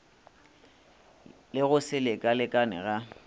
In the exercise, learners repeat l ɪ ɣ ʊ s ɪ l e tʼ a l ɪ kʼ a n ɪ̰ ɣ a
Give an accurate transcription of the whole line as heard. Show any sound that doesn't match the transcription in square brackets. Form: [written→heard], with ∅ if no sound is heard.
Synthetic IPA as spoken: l ɪ ɣ ʊ s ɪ l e [tʼ→kʼ] a l ɪ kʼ a n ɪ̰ ɣ a